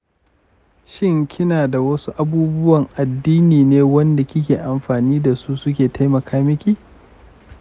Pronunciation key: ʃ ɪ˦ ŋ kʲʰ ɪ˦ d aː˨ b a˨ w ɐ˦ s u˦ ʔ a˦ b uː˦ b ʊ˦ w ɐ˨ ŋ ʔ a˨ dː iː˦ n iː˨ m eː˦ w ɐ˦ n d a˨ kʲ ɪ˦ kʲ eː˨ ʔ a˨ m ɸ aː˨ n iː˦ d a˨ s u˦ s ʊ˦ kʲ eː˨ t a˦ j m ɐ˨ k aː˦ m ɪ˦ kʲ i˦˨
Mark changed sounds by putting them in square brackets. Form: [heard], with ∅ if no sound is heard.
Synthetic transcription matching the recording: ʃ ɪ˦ ŋ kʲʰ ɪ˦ [n] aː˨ [d] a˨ w ɐ˦ s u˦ ʔ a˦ b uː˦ b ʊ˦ w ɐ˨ ŋ ʔ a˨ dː iː˦ n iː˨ [n] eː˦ w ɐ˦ n d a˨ kʲ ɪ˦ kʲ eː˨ ʔ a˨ m ɸ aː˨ n iː˦ d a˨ s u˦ s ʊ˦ kʲ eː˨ t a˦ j m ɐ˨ k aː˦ m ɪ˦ kʲ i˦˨